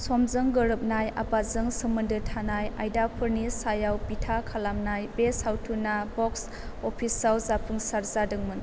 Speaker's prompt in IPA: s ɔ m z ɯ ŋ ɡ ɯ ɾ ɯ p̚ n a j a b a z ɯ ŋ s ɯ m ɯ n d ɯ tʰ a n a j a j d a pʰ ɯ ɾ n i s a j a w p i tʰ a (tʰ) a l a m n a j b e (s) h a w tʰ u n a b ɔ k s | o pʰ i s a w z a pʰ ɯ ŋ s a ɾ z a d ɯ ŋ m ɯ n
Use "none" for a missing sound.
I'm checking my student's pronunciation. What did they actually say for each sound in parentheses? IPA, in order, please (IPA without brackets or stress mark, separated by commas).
kʰ, s